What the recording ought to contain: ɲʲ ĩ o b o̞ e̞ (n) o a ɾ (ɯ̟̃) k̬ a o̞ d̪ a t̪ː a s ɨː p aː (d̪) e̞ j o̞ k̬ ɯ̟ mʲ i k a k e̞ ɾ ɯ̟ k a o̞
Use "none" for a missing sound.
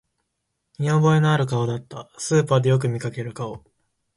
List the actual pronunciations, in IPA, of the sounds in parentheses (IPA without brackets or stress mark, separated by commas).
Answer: n, ɯ̟, d̪